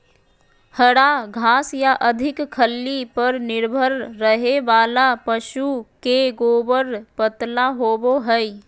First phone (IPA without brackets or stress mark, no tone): h